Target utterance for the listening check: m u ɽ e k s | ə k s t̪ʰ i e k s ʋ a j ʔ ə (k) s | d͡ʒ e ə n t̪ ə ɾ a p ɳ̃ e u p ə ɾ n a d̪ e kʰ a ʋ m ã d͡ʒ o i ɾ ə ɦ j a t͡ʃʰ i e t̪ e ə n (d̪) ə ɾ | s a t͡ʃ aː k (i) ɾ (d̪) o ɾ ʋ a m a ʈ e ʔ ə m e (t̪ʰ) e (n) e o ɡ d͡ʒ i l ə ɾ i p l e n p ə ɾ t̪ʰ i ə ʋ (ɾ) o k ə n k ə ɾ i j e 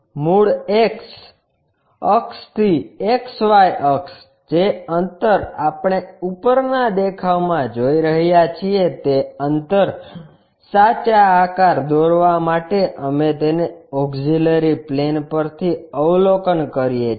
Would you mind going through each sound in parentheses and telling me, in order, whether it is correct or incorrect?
correct, incorrect: t̪, incorrect: a, correct, incorrect: t̪, correct, incorrect: l

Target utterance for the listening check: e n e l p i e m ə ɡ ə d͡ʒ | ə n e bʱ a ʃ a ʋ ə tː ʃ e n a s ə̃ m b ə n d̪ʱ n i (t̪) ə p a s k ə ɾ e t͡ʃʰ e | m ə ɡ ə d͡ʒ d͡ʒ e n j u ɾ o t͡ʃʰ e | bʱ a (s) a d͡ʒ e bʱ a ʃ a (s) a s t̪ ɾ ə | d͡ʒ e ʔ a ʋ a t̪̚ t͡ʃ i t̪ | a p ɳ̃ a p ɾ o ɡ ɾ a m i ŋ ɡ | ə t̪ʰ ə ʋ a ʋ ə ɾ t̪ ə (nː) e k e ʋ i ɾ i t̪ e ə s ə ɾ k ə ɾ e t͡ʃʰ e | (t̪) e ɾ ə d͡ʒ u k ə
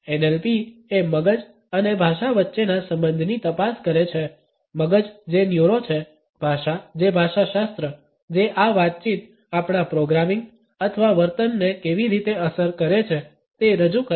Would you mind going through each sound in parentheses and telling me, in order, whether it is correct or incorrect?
correct, incorrect: ʃ, incorrect: ʃ, correct, correct

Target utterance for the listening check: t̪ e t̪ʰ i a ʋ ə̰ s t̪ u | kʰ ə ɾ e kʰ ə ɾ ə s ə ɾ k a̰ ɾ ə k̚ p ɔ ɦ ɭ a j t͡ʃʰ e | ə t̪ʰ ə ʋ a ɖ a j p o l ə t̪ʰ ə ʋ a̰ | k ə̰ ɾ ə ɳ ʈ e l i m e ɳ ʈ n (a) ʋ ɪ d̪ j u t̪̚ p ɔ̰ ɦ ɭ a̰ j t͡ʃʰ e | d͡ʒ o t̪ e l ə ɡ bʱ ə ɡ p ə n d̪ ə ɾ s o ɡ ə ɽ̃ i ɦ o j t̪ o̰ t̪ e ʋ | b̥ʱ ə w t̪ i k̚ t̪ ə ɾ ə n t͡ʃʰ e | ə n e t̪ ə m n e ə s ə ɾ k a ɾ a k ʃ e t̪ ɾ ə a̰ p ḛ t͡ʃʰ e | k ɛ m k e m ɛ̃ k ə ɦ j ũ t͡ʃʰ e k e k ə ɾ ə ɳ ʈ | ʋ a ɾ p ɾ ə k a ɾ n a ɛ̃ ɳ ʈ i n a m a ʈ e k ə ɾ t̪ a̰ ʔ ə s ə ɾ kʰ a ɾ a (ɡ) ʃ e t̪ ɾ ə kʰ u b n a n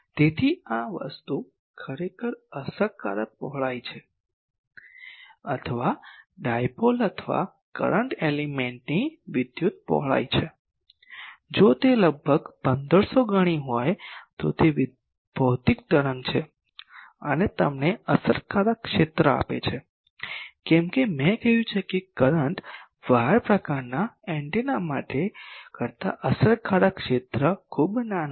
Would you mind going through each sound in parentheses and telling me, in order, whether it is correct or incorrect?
incorrect: i, incorrect: k

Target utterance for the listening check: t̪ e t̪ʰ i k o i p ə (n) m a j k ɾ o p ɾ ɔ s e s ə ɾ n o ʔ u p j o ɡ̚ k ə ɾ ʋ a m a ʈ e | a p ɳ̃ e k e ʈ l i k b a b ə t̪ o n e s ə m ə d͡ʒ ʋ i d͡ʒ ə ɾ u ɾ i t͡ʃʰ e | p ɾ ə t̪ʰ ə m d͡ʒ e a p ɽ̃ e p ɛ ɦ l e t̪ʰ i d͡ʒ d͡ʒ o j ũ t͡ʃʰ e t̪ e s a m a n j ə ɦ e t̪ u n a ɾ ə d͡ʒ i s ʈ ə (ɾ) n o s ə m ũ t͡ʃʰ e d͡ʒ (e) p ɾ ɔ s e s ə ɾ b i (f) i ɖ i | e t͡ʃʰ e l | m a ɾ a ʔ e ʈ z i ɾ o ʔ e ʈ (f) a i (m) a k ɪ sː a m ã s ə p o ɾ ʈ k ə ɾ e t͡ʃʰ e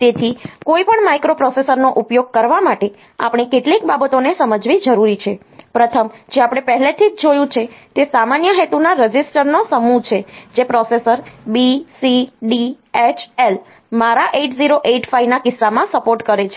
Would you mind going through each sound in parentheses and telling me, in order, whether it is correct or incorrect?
incorrect: ɳ, correct, correct, incorrect: s, correct, incorrect: n

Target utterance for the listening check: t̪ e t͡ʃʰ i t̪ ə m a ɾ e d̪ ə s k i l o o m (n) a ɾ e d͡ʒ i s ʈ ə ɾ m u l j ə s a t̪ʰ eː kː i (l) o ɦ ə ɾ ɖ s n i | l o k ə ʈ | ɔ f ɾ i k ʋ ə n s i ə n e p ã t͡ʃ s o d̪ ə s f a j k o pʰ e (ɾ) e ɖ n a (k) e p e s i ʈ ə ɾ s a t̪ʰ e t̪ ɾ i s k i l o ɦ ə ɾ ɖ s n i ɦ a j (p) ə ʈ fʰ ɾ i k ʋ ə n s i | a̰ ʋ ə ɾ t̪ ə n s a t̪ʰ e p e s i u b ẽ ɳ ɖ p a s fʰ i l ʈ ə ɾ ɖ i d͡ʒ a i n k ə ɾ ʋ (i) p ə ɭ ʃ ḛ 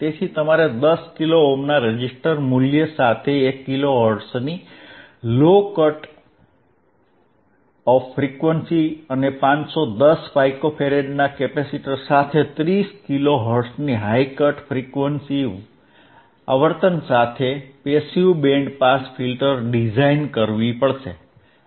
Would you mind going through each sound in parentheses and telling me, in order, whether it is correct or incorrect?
correct, correct, correct, correct, incorrect: k, correct

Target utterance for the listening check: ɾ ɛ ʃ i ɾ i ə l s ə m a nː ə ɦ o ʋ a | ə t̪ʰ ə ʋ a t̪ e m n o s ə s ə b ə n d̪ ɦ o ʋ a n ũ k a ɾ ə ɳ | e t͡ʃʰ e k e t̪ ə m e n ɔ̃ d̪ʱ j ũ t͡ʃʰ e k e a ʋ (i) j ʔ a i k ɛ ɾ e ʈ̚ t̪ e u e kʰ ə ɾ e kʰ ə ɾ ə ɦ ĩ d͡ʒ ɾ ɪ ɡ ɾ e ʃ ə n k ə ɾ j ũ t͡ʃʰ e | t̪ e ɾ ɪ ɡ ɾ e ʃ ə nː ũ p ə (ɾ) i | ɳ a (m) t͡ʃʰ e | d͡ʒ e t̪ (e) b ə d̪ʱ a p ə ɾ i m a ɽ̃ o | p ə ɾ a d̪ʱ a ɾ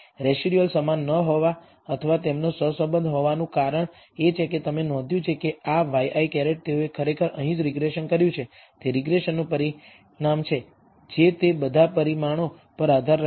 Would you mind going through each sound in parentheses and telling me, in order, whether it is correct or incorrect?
incorrect: a, correct, correct, correct

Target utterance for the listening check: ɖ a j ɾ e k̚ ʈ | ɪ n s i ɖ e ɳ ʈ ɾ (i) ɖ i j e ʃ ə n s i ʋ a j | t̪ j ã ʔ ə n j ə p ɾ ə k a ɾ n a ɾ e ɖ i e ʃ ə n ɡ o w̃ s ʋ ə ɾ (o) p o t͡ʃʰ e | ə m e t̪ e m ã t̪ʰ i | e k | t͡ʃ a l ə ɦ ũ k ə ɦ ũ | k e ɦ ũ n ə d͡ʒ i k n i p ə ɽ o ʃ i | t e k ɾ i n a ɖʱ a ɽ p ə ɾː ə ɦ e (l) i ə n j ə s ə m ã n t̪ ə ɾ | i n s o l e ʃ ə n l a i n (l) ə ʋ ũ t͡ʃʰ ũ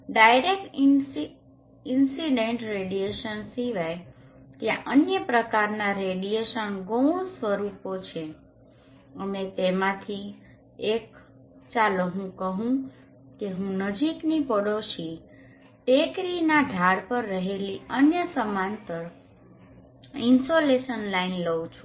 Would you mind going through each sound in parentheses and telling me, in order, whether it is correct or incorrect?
incorrect: e, incorrect: u, correct, correct

